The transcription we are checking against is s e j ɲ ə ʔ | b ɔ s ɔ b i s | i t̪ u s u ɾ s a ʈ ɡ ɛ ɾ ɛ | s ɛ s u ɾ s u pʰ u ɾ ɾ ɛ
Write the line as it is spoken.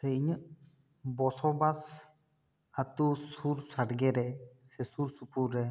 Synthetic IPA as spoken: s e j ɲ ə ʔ | b ɔ s ɔ b a s | a t̪ u s u ɾ s a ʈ ɡ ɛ ɾ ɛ | s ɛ s u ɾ s u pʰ u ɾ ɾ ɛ